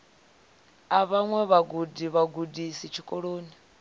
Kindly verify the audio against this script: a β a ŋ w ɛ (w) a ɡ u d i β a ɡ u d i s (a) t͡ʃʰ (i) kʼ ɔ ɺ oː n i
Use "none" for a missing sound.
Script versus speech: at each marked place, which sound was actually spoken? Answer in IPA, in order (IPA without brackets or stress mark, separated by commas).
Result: β, i, i